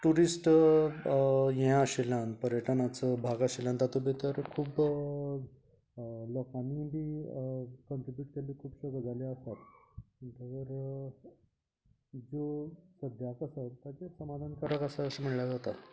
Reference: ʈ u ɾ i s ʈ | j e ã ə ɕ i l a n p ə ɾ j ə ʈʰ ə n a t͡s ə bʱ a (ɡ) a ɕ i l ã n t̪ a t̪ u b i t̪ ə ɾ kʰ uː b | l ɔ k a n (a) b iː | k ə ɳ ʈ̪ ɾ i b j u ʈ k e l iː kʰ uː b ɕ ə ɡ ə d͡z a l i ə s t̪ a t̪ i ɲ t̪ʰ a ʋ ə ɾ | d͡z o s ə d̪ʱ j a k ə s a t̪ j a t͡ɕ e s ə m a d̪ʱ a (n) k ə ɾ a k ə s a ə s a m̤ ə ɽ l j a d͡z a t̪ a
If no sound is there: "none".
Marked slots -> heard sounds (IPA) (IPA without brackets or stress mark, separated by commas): ɡ, i, n